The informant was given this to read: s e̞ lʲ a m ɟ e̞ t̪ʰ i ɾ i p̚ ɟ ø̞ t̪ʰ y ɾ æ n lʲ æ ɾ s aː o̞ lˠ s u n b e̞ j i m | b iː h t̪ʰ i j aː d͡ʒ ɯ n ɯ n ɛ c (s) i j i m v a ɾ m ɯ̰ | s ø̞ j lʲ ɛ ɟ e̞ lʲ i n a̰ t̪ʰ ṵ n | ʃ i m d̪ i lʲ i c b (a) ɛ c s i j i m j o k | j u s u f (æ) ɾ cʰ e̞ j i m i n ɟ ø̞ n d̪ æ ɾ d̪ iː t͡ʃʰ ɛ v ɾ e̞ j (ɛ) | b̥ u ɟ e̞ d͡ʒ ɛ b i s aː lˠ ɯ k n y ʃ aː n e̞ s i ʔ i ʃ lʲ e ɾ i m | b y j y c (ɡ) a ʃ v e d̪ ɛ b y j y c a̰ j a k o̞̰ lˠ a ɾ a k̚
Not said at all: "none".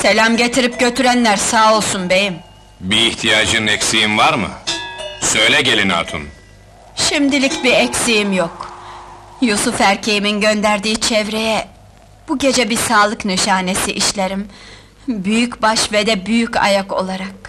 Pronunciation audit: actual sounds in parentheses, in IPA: s, i, æ, ɛ, b

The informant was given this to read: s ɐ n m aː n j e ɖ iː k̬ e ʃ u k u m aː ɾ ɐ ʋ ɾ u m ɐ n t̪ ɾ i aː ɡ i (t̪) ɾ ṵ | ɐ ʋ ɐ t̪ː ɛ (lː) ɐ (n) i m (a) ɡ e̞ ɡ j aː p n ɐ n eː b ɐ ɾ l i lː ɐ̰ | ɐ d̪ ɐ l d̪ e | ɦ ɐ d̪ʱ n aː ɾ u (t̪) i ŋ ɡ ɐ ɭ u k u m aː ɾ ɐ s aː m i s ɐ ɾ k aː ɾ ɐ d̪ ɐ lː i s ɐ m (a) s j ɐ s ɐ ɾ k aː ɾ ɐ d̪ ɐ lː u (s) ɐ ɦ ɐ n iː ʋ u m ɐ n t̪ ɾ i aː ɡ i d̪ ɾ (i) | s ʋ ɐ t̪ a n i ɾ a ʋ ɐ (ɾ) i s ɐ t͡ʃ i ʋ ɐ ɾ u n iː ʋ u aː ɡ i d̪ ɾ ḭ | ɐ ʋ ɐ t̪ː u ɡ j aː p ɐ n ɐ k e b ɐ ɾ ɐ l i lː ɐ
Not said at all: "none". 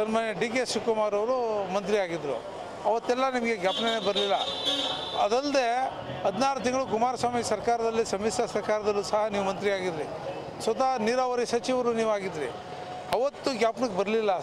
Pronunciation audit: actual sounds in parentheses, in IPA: d̪, lː, n, ɐ, t̪, i, s, i, ɾ

